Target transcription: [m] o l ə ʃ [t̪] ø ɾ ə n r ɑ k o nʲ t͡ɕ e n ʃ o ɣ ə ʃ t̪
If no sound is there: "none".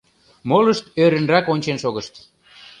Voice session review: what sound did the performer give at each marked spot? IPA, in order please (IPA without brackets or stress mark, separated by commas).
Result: m, t̪